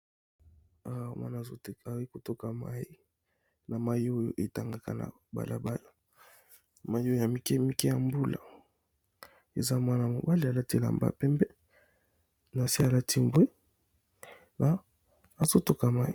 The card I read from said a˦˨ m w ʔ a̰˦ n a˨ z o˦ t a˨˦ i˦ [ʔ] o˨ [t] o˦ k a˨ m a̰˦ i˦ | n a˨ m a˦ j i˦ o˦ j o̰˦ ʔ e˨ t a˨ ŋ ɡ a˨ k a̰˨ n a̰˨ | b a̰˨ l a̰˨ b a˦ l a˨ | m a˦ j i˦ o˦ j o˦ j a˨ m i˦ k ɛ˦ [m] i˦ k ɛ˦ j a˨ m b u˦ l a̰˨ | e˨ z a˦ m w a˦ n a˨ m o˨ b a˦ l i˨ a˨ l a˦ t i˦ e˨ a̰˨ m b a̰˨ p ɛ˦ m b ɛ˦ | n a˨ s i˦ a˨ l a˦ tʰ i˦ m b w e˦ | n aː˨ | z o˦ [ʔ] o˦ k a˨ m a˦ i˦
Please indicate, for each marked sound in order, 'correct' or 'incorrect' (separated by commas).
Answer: incorrect, correct, correct, incorrect